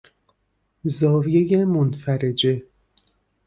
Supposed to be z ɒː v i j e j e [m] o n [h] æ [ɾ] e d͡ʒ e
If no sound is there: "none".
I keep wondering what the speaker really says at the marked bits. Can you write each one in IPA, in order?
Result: m, f, ɾ

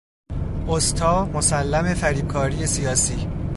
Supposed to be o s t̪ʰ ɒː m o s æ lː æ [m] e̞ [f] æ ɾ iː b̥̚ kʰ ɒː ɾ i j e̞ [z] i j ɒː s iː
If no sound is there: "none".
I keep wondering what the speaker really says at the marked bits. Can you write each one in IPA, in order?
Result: m, f, s

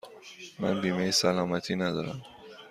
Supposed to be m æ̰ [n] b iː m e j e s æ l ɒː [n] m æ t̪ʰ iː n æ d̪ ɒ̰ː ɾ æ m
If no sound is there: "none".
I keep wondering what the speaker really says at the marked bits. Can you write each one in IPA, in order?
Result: n, none

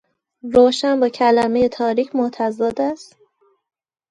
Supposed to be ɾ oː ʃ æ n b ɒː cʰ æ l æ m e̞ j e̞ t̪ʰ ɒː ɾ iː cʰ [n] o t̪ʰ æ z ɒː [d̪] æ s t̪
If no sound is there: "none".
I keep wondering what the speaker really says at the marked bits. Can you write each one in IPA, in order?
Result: m, d̪

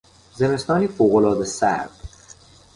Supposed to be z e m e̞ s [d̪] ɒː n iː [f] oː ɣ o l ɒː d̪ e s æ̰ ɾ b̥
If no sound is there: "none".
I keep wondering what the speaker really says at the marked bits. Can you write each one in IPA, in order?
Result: t̪, f

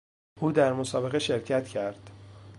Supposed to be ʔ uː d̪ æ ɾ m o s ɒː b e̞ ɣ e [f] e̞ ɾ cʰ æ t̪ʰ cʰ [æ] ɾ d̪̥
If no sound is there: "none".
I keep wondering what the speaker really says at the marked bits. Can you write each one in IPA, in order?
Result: ʃ, æ

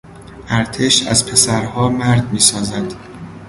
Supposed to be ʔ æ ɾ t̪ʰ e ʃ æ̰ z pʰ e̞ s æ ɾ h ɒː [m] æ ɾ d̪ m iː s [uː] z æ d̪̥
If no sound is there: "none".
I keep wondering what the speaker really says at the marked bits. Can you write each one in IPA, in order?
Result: m, ɒː

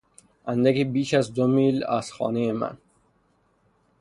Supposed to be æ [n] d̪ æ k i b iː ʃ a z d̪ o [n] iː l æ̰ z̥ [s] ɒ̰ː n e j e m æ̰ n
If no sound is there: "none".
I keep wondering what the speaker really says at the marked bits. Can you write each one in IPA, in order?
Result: n, m, x

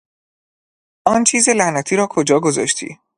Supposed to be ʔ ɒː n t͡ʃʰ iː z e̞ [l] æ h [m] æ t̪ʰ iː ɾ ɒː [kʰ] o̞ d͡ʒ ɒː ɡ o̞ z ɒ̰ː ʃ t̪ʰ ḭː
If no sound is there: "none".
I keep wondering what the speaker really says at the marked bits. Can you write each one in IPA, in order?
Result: l, n, kʰ

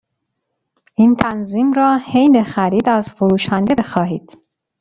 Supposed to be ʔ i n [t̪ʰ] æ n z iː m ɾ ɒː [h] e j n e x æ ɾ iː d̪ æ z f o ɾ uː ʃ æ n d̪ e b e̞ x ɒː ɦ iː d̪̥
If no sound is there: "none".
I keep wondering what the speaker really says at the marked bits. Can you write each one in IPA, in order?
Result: t̪ʰ, h

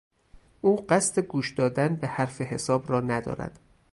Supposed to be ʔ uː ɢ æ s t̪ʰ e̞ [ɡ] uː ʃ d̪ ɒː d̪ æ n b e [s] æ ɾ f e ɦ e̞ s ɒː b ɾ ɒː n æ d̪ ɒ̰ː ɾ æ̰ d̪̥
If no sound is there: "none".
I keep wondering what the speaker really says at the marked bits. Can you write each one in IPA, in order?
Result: ɡ, h

